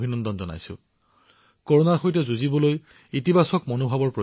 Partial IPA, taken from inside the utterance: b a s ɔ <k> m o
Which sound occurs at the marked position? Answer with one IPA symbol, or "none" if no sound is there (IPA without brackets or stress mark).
k